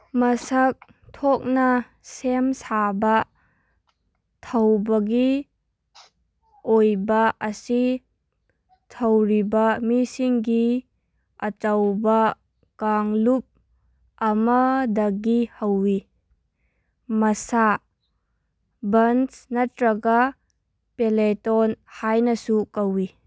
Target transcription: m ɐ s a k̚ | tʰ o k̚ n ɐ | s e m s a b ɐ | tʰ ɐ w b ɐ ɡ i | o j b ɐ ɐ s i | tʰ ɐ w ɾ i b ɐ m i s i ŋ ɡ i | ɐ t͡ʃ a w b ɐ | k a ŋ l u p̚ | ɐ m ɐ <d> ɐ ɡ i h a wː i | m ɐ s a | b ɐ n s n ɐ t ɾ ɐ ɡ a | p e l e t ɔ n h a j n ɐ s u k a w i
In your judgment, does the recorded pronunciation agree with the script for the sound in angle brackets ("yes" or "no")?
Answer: yes